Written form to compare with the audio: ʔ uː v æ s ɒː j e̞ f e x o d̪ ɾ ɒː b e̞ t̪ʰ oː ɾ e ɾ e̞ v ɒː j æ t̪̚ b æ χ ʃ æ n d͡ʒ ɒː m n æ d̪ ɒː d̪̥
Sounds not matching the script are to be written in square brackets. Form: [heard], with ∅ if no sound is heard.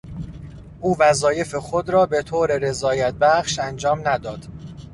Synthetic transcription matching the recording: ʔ uː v æ [z] ɒː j e̞ f e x o d̪ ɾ ɒː b e̞ t̪ʰ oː ɾ e ɾ e̞ [z] ɒː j æ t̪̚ b æ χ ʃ æ n d͡ʒ ɒː m n æ d̪ ɒː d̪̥